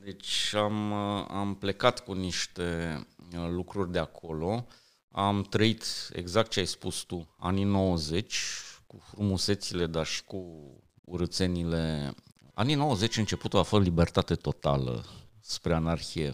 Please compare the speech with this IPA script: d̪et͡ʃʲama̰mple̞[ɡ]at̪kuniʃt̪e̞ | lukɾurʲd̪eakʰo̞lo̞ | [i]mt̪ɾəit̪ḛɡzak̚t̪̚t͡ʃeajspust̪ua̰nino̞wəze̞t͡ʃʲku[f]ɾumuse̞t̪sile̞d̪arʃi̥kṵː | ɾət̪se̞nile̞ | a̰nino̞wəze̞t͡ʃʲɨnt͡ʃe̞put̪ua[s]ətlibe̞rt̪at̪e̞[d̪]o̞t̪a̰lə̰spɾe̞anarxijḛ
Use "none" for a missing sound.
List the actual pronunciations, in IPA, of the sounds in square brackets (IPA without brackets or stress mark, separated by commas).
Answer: k, a, f, f, t̪